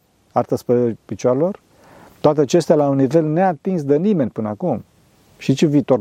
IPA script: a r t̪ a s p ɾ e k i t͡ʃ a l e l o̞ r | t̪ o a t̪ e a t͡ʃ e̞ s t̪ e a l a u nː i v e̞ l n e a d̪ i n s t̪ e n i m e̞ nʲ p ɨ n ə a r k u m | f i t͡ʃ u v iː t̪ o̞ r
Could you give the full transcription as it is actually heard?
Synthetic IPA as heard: a r t̪ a s p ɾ e p i t͡ʃ a ɾ e l o̞ r | t̪ o a t̪ e a t͡ʃ e̞ s t̪ e a l a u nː i v e̞ l n e a t̪ i n s d̪ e n i m e̞ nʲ p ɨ n ə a k u m | ʃ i t͡ʃ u v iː t̪ o̞ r